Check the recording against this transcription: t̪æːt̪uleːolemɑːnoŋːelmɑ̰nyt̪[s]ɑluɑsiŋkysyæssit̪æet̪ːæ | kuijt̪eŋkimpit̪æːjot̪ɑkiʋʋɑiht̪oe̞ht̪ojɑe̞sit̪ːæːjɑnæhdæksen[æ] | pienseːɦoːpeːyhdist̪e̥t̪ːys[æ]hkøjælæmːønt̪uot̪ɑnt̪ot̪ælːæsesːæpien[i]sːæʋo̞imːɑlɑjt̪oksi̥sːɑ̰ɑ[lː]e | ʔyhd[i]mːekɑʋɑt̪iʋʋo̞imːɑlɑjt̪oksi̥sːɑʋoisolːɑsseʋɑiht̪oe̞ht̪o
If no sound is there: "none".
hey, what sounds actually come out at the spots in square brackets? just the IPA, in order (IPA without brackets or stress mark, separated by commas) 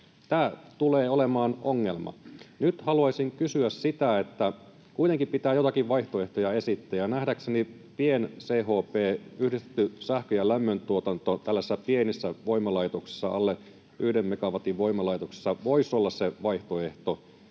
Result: h, i, æ, i, lː, e